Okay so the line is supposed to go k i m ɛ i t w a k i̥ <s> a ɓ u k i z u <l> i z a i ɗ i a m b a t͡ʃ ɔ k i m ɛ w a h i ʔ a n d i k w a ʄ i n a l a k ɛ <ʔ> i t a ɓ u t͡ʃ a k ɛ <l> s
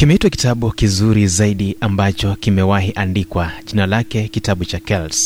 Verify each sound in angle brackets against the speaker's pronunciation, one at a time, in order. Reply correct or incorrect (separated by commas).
incorrect, incorrect, incorrect, correct